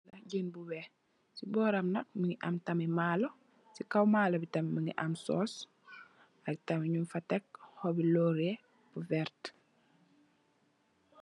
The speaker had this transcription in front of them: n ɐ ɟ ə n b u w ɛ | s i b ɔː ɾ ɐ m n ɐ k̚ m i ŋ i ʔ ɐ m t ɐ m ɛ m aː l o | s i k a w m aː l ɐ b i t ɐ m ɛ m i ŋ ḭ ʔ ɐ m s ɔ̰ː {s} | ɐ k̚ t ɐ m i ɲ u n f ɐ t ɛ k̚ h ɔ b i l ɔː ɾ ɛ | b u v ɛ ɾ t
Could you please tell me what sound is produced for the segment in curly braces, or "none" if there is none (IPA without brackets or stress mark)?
s